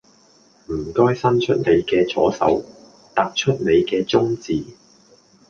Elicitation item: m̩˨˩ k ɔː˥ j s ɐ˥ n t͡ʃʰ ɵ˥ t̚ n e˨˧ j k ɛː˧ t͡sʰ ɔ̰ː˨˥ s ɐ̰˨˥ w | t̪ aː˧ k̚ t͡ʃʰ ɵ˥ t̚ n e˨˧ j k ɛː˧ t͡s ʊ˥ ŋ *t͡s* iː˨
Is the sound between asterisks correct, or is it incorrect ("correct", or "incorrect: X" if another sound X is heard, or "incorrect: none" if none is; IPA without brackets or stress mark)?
correct